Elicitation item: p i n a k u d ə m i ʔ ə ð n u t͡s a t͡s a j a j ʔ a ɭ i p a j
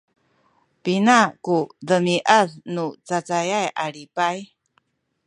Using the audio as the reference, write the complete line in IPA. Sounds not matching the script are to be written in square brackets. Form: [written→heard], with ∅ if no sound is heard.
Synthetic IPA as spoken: p i n a k u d ə m i ʔ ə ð n u t͡s a t͡s a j a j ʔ a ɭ i p a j